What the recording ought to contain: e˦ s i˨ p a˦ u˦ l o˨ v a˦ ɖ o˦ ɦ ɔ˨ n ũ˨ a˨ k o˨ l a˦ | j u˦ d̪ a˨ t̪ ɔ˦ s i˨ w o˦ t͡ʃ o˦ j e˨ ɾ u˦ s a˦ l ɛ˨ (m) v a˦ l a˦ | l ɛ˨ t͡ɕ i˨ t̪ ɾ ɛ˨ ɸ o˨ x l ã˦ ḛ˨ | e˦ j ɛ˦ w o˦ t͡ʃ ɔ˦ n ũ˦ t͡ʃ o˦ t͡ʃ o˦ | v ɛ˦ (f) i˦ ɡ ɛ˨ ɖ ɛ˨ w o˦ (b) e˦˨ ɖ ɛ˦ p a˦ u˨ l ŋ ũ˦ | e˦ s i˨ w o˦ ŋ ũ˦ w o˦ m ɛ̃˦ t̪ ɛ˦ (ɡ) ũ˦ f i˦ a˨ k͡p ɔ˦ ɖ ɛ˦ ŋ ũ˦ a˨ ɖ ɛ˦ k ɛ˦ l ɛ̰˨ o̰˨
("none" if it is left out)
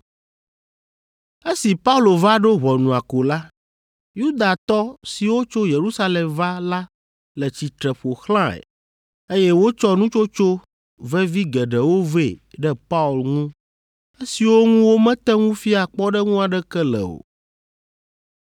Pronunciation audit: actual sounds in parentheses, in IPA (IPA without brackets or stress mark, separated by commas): m, v, v, ŋ